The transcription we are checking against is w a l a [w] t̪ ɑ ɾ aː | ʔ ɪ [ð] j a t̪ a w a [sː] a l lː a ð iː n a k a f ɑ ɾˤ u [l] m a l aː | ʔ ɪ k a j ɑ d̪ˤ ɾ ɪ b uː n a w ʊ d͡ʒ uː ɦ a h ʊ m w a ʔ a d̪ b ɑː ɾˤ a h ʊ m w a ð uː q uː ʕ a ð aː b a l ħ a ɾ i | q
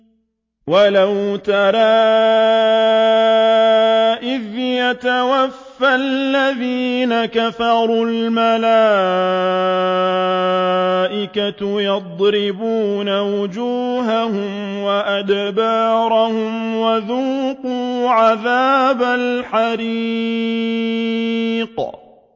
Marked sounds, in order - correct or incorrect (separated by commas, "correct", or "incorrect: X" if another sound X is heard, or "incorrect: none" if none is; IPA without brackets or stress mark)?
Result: correct, correct, incorrect: fː, correct